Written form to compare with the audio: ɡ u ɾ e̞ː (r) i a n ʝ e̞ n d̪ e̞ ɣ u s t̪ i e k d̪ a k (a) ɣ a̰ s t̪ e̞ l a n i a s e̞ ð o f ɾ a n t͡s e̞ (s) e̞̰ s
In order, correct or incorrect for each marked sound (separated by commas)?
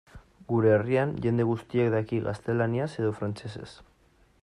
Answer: correct, incorrect, correct